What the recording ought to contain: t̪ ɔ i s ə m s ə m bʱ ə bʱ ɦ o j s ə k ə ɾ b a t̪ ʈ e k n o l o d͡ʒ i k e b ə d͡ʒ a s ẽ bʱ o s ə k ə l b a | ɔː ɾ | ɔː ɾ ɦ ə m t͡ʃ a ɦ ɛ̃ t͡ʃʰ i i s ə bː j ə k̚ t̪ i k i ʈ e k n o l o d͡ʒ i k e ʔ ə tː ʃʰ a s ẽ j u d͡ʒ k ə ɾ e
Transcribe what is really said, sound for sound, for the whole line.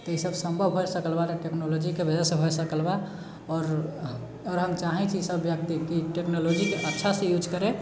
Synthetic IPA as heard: t̪ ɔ i s ə b s ə m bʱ ə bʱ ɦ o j s ə k ə l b a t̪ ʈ e k n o l o d͡ʒ i k e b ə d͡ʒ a s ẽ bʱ o s ə k ə l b a | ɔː ɾ | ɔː ɾ ɦ ə m t͡ʃ a ɦ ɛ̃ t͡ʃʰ i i s ə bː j ə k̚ t̪ i k i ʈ e k n o l o d͡ʒ i k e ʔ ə tː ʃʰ a s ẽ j u d͡ʒ k ə ɾ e